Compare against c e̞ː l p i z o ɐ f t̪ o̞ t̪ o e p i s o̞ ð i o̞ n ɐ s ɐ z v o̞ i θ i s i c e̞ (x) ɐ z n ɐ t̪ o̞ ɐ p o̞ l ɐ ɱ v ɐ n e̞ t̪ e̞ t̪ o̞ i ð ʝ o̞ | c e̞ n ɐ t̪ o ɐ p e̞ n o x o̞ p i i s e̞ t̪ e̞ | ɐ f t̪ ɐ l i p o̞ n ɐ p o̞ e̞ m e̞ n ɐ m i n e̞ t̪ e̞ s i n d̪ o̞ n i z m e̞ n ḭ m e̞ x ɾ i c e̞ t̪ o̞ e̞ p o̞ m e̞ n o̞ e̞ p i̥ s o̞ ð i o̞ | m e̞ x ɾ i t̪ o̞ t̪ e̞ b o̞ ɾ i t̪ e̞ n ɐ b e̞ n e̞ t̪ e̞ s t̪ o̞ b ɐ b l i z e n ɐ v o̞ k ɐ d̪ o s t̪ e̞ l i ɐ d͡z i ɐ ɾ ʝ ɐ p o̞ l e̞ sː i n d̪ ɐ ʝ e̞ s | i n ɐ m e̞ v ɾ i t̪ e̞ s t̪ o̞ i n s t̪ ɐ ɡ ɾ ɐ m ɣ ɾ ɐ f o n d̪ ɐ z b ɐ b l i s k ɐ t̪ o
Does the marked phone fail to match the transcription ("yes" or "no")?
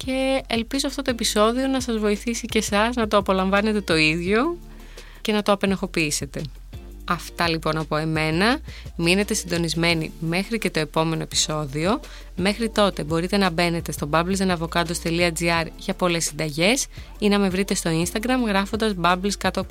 yes